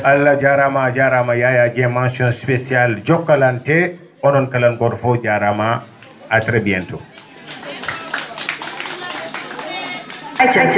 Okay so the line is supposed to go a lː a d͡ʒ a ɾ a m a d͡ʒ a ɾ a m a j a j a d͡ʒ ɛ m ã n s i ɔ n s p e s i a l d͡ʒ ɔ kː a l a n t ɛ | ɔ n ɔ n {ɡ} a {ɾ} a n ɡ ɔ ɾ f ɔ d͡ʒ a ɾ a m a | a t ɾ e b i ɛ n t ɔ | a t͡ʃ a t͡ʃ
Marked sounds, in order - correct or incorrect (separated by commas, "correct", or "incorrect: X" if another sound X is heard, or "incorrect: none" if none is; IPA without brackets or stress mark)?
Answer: incorrect: k, incorrect: l